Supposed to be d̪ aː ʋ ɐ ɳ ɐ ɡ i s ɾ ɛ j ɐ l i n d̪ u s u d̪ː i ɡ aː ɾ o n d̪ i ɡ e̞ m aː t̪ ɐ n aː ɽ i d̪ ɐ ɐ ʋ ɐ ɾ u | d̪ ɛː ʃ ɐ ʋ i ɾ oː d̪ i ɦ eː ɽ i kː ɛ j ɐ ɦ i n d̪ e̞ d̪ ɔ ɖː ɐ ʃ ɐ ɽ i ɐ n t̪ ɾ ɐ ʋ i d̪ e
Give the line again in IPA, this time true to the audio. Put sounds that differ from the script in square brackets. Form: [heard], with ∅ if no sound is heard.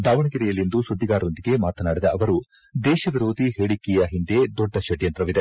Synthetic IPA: d̪ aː ʋ ɐ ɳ ɐ ɡ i [∅] ɾ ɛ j ɐ l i n d̪ u s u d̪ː i ɡ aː ɾ o n d̪ i ɡ e̞ m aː t̪ ɐ n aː ɽ i d̪ ɐ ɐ ʋ ɐ ɾ u | d̪ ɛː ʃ ɐ ʋ i ɾ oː d̪ i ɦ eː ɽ i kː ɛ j ɐ ɦ i n d̪ e̞ d̪ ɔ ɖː ɐ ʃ ɐ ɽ [j] ɐ n t̪ ɾ ɐ ʋ i d̪ e

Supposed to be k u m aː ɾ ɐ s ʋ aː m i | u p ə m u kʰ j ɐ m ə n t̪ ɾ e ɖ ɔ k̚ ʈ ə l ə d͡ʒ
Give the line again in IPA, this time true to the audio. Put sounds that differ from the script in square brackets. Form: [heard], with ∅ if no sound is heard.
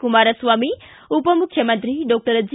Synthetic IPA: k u m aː ɾ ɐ s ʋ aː m i | u p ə m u kʰ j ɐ m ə n t̪ ɾ [i] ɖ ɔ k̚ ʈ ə [ɾ] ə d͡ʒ

